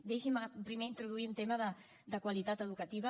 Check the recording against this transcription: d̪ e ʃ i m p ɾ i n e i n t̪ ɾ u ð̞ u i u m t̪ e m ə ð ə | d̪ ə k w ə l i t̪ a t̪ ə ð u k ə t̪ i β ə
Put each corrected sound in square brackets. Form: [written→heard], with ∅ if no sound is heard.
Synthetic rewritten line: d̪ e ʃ i m p ɾ i [n→m] e i n t̪ ɾ u ð̞ u i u [m→n] t̪ e m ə ð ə | d̪ ə k w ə l i t̪ a t̪ ə ð u k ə t̪ i β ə